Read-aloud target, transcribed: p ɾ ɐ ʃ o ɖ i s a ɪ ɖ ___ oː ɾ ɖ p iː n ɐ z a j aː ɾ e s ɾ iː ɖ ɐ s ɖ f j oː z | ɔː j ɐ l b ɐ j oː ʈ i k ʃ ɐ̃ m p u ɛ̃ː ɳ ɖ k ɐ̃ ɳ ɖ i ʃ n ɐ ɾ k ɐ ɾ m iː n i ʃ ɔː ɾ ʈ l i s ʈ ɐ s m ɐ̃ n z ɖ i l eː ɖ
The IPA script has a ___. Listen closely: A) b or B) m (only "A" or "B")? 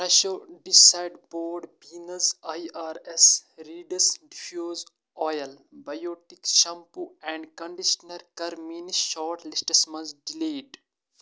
A